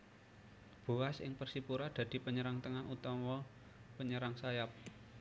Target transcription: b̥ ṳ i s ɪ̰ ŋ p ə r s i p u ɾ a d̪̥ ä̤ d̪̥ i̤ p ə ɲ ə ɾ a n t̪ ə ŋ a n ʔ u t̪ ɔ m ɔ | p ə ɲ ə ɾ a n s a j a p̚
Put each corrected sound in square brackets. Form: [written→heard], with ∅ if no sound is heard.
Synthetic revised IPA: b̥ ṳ [i→a] s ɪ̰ ŋ p ə r s i p u ɾ a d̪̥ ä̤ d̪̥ i̤ p ə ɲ ə ɾ a [n→ŋ] t̪ ə ŋ a n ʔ u t̪ ɔ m ɔ | p ə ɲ ə ɾ a [n→ŋ] s a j a p̚